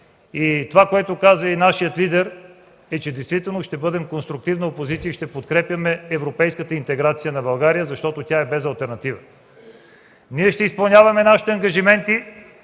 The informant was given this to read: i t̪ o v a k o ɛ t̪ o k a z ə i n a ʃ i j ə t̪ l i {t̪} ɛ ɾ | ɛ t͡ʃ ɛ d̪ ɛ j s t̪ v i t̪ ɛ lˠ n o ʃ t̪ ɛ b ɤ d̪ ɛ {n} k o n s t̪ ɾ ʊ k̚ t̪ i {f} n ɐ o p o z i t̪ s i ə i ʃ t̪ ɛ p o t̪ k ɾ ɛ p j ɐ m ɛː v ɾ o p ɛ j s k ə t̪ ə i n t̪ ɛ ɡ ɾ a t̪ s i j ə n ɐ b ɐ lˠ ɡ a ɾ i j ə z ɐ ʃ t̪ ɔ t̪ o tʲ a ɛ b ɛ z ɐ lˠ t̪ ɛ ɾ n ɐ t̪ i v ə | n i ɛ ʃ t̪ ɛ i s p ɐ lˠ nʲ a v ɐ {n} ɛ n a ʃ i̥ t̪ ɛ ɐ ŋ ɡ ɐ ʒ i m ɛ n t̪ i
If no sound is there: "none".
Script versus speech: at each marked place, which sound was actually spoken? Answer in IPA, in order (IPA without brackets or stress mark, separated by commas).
d̪, m, v, m